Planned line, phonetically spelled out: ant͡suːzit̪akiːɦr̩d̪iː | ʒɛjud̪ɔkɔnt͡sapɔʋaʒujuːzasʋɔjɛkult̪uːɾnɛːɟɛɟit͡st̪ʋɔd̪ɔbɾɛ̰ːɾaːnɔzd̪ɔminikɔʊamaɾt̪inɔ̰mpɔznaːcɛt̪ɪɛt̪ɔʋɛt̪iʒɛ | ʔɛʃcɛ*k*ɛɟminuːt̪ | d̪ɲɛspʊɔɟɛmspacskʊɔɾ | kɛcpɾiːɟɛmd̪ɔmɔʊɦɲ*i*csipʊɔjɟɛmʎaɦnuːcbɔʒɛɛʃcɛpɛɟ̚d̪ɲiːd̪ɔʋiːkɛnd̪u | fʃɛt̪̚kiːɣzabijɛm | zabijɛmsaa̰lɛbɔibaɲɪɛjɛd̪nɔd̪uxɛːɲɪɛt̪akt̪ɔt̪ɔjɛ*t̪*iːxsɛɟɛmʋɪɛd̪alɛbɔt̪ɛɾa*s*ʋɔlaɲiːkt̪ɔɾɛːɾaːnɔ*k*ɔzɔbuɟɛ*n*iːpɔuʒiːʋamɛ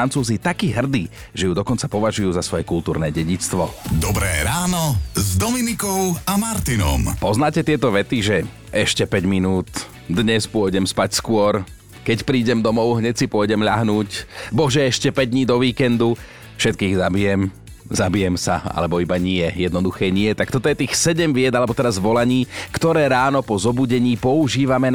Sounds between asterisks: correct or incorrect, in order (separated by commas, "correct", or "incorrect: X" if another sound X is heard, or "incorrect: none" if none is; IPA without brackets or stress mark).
incorrect: p, incorrect: ɛ, correct, incorrect: z, incorrect: p, incorrect: ɲ